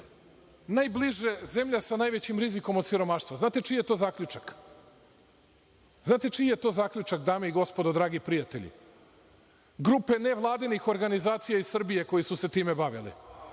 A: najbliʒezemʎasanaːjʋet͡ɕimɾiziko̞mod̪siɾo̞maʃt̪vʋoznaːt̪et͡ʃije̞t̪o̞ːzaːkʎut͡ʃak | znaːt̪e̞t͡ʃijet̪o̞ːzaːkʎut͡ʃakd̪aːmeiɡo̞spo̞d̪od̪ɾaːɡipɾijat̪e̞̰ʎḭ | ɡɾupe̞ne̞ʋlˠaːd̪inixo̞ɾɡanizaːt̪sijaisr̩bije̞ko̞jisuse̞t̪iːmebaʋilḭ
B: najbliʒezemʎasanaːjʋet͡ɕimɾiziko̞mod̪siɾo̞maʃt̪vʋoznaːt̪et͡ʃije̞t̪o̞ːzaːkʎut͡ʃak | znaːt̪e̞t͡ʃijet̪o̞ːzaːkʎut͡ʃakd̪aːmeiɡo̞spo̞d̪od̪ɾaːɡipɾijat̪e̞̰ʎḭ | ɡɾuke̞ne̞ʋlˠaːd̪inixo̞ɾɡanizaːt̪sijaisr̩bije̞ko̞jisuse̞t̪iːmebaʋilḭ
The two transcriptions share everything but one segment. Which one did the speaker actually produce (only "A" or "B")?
A